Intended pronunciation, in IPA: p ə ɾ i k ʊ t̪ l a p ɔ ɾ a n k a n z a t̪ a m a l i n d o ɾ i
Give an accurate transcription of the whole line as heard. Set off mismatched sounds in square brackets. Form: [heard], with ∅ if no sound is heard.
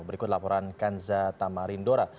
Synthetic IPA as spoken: [b] ə ɾ i k ʊ t̪ l a p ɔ ɾ a n k a n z a t̪ a m a [ɾ] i n d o ɾ [a]